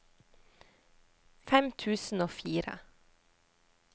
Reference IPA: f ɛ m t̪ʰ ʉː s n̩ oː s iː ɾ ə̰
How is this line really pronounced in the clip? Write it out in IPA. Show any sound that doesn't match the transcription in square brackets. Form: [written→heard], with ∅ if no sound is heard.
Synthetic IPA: f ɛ m t̪ʰ ʉː s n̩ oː [s→f] iː ɾ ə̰